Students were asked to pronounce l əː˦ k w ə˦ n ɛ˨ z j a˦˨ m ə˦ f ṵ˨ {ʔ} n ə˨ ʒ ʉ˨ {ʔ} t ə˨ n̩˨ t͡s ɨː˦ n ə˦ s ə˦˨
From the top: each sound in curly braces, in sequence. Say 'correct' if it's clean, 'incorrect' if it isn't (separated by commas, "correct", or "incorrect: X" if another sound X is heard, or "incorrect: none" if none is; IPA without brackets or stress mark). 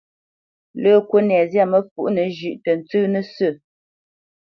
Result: correct, correct